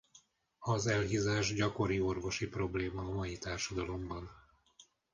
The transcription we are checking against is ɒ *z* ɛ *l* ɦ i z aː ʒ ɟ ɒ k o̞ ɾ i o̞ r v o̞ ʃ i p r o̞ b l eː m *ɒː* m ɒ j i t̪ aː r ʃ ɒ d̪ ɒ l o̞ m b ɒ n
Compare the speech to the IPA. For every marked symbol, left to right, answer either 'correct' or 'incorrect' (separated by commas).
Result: correct, correct, correct